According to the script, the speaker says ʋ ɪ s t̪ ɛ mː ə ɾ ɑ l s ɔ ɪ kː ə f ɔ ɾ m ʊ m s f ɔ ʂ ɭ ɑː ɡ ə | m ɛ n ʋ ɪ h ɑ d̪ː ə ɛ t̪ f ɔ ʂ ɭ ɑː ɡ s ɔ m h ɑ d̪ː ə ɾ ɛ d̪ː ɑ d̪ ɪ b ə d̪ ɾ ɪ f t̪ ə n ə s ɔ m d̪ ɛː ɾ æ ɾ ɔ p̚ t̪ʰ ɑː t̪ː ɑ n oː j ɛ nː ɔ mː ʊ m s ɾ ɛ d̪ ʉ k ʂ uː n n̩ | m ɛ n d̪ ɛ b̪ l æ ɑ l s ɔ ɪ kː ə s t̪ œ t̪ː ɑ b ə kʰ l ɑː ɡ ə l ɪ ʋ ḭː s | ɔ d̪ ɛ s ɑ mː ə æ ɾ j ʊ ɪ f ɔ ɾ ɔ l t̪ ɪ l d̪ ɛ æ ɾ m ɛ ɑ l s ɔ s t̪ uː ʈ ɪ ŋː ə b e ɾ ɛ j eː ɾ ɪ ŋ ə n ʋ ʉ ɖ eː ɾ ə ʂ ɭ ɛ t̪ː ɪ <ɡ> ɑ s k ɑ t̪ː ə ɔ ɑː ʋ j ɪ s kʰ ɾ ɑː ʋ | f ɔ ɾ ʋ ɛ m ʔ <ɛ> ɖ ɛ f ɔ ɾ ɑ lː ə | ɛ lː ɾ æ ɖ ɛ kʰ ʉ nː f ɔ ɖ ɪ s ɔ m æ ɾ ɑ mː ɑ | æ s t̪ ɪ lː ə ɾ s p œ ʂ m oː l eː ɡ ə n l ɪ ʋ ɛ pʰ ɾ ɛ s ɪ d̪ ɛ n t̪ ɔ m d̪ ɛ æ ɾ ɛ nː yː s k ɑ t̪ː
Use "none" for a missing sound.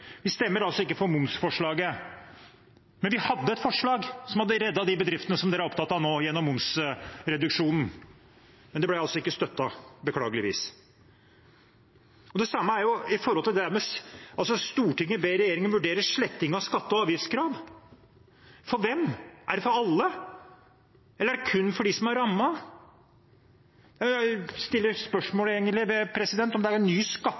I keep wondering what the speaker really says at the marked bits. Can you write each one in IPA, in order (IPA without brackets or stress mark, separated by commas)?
ŋ, æ